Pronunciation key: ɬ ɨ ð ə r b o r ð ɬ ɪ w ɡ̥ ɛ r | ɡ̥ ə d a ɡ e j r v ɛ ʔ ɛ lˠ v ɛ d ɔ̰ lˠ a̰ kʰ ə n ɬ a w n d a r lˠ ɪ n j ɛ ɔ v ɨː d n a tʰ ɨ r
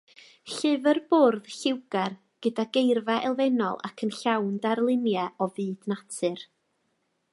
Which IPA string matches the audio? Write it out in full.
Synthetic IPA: ɬ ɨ v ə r b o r ð ɬ ɪ w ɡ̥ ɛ r | ɡ̥ ə d a ɡ e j r v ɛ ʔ ɛ lˠ v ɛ n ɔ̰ lˠ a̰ kʰ ə n ɬ a w n d a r lˠ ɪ n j ɛ ɔ v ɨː d n a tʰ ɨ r